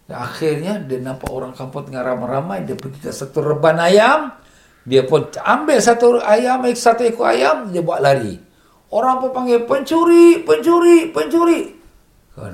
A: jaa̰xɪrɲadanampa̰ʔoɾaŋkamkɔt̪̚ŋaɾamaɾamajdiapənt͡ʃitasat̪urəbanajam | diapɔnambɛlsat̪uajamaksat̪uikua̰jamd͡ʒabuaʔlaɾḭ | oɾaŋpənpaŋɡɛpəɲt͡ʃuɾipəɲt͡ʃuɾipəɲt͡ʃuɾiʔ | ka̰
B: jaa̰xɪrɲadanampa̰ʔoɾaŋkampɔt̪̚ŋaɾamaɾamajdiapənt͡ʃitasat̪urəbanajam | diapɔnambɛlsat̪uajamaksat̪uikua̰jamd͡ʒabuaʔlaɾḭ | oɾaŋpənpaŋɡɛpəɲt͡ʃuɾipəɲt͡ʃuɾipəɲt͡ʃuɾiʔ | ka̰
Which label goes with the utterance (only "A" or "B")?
B